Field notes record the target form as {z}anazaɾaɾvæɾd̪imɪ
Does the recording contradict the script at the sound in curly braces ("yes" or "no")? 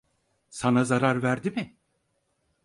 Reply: yes